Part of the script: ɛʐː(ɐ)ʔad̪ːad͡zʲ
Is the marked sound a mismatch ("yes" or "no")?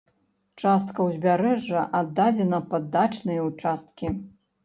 no